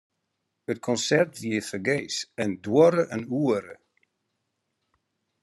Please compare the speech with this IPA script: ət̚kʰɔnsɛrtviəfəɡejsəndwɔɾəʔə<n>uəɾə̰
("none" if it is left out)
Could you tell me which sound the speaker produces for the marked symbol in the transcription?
n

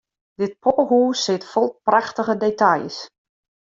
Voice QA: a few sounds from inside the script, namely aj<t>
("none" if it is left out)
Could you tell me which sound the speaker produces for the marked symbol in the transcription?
s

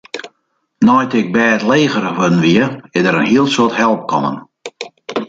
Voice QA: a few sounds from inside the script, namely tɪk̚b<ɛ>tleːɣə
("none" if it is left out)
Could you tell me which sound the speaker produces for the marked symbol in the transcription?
ɛː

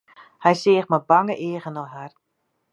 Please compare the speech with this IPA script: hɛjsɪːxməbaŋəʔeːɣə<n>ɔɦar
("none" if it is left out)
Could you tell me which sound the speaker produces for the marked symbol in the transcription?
n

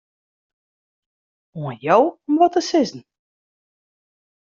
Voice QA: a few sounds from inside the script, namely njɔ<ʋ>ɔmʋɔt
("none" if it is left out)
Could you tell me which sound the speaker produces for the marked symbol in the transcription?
w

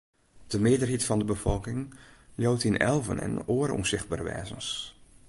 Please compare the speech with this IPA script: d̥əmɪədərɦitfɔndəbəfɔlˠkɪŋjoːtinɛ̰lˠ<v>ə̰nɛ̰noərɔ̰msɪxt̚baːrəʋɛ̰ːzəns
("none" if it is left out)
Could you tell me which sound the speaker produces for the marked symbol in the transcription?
v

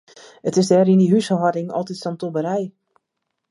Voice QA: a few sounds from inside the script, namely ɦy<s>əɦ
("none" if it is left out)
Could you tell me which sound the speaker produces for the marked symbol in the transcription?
s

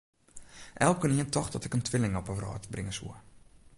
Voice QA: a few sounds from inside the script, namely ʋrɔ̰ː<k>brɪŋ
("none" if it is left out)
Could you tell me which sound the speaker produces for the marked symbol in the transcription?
t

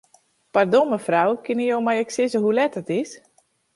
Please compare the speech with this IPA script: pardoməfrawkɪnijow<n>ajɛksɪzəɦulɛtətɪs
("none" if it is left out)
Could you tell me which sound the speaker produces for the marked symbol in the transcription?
m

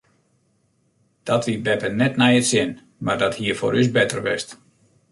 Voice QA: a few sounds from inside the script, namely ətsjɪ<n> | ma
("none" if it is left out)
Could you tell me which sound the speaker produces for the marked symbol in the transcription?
n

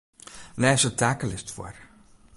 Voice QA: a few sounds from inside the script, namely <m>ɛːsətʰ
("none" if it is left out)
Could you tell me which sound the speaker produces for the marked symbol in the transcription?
n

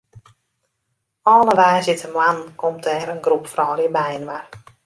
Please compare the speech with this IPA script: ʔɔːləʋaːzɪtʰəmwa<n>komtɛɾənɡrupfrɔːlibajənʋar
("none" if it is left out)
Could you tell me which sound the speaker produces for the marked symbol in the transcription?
n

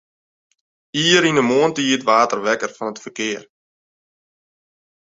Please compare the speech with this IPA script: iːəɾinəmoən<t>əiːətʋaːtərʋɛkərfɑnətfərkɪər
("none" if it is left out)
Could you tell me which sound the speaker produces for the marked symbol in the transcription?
t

